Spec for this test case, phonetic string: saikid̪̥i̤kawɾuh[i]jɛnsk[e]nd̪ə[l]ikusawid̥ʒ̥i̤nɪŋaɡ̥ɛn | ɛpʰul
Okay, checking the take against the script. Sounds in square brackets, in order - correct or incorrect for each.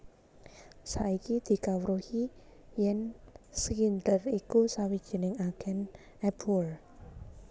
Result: correct, incorrect: i, incorrect: r

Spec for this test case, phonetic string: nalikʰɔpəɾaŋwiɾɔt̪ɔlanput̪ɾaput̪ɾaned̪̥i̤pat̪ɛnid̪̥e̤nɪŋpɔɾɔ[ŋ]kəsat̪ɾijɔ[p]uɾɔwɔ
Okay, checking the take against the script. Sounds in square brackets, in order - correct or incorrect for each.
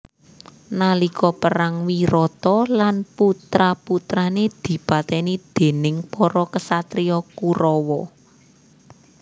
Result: incorrect: none, incorrect: k

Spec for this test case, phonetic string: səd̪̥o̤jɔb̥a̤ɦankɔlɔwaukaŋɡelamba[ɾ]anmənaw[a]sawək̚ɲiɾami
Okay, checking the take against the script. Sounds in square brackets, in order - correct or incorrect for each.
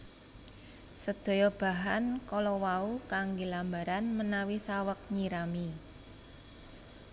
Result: correct, incorrect: i

